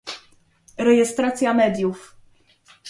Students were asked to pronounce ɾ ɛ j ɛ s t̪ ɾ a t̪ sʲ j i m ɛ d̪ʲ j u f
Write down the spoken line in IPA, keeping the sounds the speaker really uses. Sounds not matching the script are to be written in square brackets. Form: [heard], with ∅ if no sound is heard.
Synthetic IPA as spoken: ɾ ɛ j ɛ s t̪ ɾ a t̪ sʲ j [a] m ɛ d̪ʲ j u f